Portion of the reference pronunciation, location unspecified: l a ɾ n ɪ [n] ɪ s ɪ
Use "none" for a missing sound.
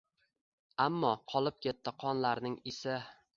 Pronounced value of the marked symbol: ŋ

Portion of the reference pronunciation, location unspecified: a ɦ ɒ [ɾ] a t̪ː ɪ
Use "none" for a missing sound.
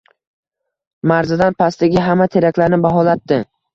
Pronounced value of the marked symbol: l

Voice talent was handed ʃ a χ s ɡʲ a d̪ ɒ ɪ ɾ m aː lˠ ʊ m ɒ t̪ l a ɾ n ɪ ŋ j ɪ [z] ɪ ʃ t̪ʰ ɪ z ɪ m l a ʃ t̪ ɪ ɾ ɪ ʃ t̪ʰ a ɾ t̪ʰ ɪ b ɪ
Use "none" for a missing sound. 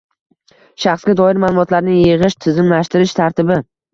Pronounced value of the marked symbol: ʁ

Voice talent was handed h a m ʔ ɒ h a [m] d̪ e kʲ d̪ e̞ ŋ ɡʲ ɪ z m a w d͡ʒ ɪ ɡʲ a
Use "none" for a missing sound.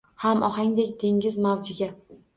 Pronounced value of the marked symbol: ŋ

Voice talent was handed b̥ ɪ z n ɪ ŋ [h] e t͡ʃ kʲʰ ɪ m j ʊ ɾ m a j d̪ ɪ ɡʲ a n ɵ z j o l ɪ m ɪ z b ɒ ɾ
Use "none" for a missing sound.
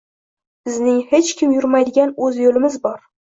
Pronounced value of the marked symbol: h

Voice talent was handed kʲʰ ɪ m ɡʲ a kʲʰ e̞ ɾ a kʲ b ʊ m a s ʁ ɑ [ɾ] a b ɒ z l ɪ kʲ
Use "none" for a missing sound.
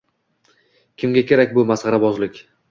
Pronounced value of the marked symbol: ɾ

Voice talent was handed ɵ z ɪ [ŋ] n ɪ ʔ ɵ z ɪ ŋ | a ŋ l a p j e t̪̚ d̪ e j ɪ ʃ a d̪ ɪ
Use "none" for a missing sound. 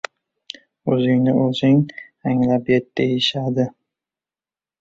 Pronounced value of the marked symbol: ŋ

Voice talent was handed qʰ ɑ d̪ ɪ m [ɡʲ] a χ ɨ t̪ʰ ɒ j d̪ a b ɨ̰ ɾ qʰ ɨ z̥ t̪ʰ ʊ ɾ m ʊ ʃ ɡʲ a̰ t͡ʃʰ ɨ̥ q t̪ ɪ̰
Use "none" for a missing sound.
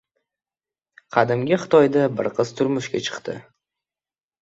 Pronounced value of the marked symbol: ɡʲ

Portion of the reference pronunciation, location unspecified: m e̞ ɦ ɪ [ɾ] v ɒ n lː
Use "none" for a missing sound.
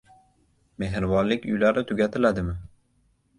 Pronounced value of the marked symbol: ɾ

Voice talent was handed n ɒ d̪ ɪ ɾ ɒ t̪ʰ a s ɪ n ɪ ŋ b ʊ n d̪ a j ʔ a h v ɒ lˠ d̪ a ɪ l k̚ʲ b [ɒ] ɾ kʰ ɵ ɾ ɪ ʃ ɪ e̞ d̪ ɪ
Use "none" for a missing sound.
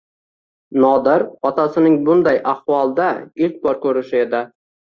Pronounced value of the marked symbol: ɒ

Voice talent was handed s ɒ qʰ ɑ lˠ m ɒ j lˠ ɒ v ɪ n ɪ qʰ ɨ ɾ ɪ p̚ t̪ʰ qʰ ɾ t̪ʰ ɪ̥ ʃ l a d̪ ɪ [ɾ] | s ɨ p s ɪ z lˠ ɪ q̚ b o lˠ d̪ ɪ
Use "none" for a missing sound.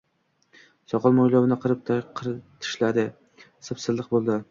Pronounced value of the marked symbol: none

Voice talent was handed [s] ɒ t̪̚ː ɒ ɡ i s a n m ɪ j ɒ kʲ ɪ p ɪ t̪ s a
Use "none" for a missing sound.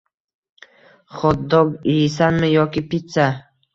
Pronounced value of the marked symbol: χ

